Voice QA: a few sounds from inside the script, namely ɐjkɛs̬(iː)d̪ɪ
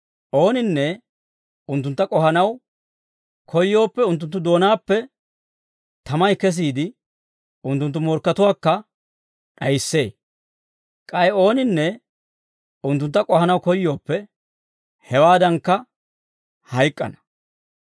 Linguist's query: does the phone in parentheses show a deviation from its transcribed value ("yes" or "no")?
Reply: no